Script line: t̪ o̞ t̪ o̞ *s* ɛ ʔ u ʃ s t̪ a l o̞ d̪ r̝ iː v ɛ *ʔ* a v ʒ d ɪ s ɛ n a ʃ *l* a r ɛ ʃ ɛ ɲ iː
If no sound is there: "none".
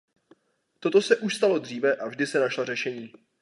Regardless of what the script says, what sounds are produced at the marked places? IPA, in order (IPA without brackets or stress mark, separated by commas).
s, ʔ, l